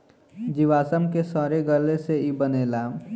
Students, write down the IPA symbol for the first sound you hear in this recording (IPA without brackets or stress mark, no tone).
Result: d͡ʒ